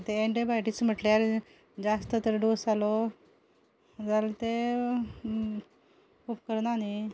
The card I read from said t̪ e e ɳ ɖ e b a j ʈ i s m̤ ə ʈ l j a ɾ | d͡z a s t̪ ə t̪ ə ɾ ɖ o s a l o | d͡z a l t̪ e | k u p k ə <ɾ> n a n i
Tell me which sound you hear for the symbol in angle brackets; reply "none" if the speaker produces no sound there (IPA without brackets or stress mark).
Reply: ɾ